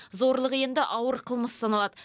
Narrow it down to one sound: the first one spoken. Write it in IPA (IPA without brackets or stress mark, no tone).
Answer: z